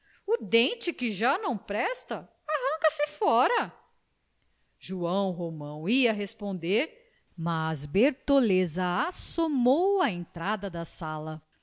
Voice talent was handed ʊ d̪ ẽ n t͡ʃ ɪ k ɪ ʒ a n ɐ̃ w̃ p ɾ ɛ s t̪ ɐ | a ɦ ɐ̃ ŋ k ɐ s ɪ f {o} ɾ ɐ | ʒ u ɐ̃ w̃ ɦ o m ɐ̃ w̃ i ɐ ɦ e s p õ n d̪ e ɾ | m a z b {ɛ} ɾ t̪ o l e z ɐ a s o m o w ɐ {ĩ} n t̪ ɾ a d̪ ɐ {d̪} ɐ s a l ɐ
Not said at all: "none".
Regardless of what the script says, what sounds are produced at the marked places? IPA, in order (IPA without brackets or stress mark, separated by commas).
ɔ, e, ẽ, d̪